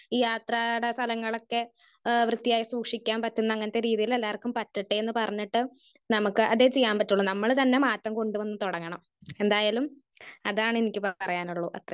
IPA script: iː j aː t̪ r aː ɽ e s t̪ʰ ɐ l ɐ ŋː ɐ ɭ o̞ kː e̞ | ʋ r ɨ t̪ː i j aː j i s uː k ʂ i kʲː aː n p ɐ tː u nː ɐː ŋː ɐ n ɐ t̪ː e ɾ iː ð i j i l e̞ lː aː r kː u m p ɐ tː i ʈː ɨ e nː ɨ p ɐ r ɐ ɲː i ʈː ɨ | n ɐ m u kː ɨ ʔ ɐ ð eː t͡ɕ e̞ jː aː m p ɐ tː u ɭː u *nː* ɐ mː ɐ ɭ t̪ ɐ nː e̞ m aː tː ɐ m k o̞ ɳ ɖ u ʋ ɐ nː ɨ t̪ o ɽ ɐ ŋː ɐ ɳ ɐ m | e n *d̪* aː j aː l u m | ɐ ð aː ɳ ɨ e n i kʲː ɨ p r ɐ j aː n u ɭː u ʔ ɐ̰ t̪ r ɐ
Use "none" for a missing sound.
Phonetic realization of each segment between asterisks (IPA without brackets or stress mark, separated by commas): n, d̪